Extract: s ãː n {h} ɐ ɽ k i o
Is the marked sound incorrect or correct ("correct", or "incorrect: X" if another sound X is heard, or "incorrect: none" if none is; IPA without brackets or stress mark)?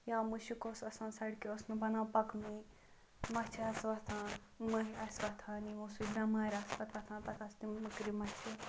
incorrect: s